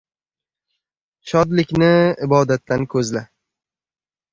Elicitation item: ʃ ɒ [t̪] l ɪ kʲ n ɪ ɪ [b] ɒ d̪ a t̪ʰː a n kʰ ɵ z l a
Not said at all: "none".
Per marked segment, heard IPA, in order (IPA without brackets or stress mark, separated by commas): d̪, b